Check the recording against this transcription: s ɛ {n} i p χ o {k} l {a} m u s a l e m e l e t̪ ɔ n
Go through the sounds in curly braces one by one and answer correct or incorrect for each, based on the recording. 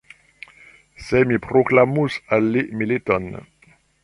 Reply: incorrect: m, correct, correct

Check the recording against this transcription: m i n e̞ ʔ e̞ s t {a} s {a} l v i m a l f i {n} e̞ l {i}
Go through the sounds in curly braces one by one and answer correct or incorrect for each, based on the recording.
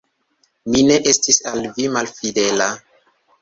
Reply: incorrect: i, correct, incorrect: d, incorrect: a

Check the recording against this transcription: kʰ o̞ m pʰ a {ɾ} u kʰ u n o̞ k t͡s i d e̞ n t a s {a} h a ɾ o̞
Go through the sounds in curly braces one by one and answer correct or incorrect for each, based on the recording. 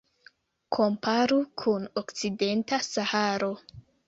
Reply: correct, correct

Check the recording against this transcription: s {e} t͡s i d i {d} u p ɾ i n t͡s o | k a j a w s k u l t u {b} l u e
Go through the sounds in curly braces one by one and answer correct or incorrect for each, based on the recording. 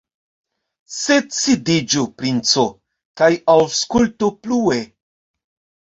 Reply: correct, incorrect: d͡ʒ, incorrect: p

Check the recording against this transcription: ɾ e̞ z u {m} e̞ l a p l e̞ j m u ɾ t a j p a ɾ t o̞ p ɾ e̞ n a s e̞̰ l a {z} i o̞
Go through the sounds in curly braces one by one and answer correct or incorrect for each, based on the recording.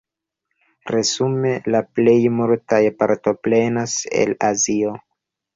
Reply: correct, correct

